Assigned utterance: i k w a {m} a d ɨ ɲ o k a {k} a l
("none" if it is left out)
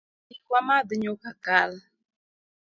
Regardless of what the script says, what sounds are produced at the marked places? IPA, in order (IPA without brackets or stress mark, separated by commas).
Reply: m, k